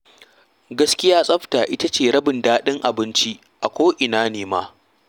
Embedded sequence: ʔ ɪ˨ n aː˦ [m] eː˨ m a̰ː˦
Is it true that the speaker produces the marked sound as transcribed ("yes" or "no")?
no